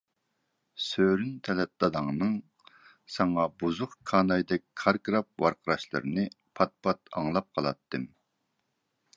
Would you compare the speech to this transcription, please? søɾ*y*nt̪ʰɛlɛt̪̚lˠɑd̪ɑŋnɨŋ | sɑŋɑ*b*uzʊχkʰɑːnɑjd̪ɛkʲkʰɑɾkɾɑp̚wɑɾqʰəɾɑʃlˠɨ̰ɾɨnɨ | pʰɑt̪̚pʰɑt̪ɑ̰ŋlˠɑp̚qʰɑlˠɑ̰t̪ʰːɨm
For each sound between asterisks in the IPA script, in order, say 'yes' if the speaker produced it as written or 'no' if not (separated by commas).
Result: yes, yes